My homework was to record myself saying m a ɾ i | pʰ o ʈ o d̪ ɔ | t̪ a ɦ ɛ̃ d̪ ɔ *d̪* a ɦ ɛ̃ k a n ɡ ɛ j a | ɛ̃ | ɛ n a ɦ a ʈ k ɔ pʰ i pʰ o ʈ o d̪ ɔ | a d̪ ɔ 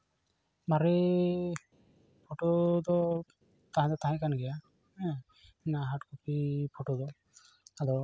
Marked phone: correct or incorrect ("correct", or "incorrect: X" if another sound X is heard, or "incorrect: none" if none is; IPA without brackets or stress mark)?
incorrect: t̪